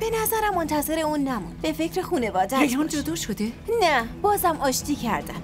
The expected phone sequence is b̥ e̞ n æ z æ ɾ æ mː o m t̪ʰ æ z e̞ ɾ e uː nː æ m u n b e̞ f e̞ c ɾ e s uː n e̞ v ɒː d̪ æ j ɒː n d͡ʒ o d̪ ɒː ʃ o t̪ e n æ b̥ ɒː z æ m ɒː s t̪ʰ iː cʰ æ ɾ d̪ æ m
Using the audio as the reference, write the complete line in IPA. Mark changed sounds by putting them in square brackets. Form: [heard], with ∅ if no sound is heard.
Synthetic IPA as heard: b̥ e̞ n æ z æ ɾ æ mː o [n] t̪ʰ æ z e̞ ɾ e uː nː æ m u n b e̞ f e̞ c ɾ e [x] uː n e̞ v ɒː d̪ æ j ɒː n d͡ʒ o d̪ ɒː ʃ o [d̪] e n æ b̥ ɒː z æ m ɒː [ʃ] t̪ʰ iː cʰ æ ɾ d̪ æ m